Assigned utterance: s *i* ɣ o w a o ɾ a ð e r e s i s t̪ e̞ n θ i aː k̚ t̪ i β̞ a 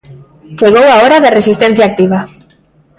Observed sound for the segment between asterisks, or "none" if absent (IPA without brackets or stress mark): e